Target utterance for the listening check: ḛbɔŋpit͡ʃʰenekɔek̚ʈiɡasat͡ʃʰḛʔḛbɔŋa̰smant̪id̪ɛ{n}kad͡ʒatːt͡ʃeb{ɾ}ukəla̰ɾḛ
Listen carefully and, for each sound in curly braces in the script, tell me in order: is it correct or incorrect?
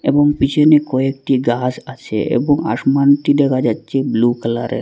incorrect: none, incorrect: l

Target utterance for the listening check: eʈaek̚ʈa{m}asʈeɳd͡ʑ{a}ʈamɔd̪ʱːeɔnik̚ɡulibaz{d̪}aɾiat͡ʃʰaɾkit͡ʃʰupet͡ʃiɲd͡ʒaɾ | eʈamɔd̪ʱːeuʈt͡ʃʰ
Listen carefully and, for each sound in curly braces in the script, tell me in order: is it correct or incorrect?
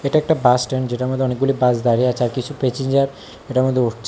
incorrect: b, incorrect: e, correct

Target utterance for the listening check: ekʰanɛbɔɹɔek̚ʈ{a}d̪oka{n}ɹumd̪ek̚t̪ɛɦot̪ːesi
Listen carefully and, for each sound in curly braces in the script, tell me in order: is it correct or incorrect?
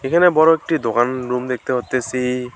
incorrect: i, correct

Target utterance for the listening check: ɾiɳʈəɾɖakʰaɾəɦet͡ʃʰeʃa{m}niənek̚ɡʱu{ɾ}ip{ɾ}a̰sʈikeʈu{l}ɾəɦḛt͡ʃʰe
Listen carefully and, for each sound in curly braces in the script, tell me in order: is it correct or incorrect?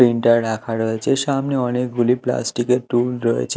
correct, incorrect: l, incorrect: l, correct

